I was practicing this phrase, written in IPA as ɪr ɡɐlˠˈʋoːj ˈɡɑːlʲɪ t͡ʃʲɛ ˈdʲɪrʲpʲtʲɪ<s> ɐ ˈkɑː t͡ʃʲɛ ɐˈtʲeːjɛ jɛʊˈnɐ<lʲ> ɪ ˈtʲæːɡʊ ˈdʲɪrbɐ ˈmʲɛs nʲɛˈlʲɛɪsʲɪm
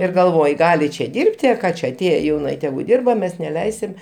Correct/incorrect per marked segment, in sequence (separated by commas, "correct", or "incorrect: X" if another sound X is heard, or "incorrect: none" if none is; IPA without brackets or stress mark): incorrect: none, incorrect: none